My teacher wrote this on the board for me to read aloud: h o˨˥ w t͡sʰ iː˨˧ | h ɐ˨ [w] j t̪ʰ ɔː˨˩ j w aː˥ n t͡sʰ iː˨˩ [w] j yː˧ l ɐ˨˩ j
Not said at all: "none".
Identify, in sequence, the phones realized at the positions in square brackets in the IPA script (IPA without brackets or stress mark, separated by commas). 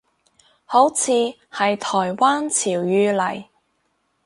none, w